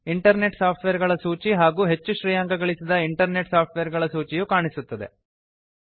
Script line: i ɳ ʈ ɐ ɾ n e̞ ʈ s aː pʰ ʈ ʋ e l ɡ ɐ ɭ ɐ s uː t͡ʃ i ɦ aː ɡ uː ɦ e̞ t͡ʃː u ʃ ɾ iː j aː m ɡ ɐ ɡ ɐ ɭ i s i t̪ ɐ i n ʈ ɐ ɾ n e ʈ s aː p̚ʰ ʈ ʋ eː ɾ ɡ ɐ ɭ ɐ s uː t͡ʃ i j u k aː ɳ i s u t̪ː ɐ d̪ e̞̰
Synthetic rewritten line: i ɳ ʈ ɐ ɾ n e̞ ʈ s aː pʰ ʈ ʋ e ɾ ɡ ɐ ɭ ɐ s uː t͡ʃ i ɦ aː ɡ uː ɦ e̞ t͡ʃː u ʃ ɾ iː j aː ŋ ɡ ɐ ɡ ɐ ɭ i s i d̪ ɐ i ɳ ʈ ɐ ɾ n e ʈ s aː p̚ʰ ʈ ʋ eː ɾ ɡ ɐ ɭ ɐ s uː t͡ʃ i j u k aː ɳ i s u t̪ː ɐ d̪ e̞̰